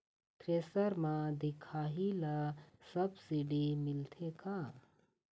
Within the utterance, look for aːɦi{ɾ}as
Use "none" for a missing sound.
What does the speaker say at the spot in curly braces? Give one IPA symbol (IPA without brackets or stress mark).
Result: l